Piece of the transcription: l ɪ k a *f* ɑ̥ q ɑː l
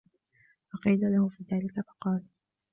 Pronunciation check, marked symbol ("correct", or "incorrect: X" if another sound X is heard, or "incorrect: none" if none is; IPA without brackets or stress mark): correct